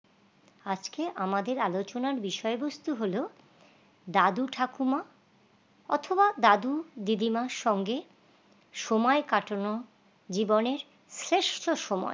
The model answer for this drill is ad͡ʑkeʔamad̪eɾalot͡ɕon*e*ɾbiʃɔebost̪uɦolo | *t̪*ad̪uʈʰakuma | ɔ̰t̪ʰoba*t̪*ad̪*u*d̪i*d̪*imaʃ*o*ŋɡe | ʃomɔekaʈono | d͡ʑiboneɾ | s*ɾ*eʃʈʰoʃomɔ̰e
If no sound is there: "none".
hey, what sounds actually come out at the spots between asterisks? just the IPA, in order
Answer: a, d̪, d̪, u, d̪, ɔ, ɾ

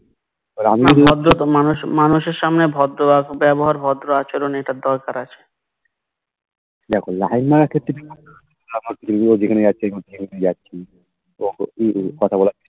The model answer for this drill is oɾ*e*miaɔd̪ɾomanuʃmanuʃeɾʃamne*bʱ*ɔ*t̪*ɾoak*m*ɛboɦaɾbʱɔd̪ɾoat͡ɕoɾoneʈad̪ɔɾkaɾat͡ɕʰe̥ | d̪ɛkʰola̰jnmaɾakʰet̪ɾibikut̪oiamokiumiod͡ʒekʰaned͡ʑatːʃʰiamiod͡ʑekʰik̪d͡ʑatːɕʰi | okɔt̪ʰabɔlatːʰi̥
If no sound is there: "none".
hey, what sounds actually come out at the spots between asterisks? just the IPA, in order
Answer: a, bʱ, d̪, b

